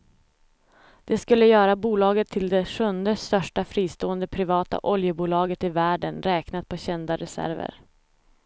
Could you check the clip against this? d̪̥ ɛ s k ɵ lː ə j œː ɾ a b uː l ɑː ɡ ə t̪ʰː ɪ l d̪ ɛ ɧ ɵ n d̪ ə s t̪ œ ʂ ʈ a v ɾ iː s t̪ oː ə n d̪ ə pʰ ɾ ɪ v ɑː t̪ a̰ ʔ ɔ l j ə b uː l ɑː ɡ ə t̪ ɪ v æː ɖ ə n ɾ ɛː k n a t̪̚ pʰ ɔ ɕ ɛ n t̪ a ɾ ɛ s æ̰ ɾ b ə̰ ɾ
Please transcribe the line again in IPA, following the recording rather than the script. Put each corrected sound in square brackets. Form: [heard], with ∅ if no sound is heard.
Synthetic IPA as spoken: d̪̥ ɛ s k ɵ lː ə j œː ɾ a b uː l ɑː ɡ ə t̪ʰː ɪ l d̪ ɛ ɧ ɵ n d̪ ə s t̪ œ ʂ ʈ a [f] ɾ iː s t̪ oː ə n d̪ ə pʰ ɾ ɪ v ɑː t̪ a̰ ʔ ɔ l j ə b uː l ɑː ɡ ə t̪ ɪ v æː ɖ ə n ɾ ɛː k n a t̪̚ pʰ ɔ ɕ ɛ n [d̪] a ɾ ɛ s æ̰ ɾ [v] ə̰ ɾ